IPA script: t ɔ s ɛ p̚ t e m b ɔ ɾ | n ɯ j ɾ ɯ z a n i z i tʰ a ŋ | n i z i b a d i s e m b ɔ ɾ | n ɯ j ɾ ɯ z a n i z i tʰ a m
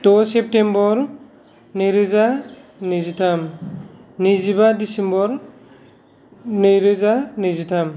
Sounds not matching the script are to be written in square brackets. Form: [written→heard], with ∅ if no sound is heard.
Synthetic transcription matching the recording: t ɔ s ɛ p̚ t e m b ɔ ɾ | n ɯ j ɾ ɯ z a n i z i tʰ a [ŋ→m] | n i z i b a d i s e m b ɔ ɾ | n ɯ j ɾ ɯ z a n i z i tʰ a m